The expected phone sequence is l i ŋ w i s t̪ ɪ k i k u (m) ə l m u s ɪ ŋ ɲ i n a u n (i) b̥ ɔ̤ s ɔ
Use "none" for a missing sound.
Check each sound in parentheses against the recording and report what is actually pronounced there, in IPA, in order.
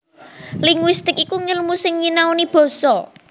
ŋ, i

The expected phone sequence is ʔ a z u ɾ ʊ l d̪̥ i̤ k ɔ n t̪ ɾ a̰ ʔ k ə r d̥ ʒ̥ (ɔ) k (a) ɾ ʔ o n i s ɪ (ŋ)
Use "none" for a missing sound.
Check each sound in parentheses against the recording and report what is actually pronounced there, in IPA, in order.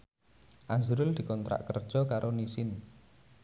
ɔ, a, n

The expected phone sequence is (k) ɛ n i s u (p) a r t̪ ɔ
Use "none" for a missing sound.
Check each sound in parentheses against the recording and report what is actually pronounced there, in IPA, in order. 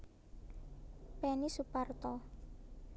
p, p

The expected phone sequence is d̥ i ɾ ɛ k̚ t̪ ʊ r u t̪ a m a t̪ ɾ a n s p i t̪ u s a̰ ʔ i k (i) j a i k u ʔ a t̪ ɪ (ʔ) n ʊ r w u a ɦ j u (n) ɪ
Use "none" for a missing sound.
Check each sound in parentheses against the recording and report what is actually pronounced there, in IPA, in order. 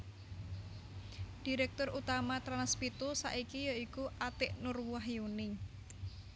i, ʔ, n

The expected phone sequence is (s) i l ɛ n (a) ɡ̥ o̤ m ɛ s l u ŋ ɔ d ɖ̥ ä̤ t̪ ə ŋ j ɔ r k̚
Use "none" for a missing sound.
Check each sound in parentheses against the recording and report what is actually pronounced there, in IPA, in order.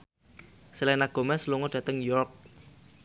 s, a

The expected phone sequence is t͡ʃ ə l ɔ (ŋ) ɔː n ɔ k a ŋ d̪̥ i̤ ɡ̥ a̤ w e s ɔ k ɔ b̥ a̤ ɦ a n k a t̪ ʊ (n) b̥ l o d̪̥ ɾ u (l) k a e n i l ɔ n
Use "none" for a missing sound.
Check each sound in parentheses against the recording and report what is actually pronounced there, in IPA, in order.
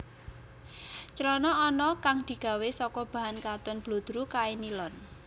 n, n, none

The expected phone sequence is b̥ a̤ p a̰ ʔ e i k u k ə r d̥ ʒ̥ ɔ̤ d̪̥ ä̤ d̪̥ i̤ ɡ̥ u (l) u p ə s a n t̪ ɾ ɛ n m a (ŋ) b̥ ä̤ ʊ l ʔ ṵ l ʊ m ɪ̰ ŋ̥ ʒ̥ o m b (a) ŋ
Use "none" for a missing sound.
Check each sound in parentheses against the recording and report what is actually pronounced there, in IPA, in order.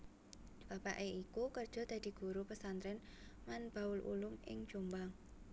ɾ, n, a

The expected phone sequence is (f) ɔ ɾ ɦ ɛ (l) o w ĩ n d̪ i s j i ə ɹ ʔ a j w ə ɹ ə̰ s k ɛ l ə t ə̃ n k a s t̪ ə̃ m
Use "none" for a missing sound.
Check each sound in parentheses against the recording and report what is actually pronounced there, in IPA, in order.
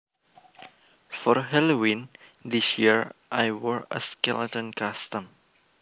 f, l

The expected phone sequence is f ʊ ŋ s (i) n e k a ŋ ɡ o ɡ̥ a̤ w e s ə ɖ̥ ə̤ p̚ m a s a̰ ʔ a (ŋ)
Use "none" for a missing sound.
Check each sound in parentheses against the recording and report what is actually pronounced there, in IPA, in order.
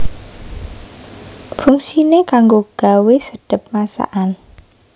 i, n

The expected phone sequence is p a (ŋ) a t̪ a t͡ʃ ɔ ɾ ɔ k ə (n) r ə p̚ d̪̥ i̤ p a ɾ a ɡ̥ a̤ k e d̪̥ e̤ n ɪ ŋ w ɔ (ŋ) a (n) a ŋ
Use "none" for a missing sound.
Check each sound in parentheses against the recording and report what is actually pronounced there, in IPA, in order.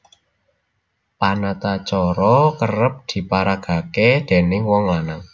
n, none, ŋ, n

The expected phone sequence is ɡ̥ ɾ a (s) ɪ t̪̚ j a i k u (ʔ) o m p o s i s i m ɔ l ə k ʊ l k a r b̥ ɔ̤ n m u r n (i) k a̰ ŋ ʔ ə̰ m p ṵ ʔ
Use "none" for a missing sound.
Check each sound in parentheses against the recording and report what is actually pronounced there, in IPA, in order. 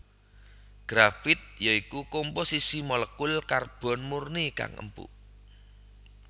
f, k, i

